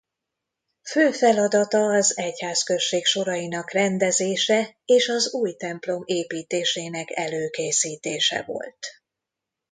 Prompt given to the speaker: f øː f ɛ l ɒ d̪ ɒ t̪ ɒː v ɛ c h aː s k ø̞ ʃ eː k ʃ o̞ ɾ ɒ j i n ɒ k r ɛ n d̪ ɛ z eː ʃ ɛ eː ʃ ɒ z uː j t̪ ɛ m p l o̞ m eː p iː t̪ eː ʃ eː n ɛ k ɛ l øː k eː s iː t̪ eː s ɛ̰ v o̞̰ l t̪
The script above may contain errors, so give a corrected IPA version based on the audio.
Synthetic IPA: f øː f ɛ l ɒ d̪ ɒ t̪ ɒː z ɛ c h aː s k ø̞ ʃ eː k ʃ o̞ ɾ ɒ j i n ɒ k r ɛ n d̪ ɛ z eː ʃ ɛ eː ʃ ɒ z uː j t̪ ɛ m p l o̞ m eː p iː t̪ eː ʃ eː n ɛ k ɛ l øː k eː s iː t̪ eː ʃ ɛ̰ v o̞̰ l t̪